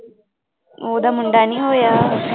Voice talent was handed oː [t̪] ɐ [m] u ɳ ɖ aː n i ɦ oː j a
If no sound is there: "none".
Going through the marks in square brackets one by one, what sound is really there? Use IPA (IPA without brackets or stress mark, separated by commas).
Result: d̪, m